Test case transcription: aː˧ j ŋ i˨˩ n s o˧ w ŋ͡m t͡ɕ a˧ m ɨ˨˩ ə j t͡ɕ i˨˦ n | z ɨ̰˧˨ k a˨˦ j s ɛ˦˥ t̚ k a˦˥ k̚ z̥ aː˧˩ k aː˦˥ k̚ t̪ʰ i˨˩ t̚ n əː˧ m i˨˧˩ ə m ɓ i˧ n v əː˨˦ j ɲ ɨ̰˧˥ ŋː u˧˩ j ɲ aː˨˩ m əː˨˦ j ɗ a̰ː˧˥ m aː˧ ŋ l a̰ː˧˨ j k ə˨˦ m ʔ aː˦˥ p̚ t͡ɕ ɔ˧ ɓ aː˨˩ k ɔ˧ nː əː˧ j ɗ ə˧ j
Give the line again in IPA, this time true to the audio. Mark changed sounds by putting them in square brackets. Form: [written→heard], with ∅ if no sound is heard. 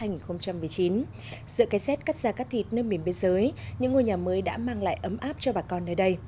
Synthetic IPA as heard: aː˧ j ŋ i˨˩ n [s→x] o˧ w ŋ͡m t͡ɕ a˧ m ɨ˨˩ ə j t͡ɕ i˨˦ n | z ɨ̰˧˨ k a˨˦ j s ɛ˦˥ t̚ k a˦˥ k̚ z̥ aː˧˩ k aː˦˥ k̚ t̪ʰ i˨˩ t̚ n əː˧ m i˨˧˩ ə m ɓ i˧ n [v→z] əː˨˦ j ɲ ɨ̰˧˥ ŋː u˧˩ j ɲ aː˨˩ m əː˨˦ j ɗ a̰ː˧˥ m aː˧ ŋ l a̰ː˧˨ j [k→ʔ] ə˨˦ m ʔ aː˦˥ p̚ t͡ɕ ɔ˧ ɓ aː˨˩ k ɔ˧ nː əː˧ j ɗ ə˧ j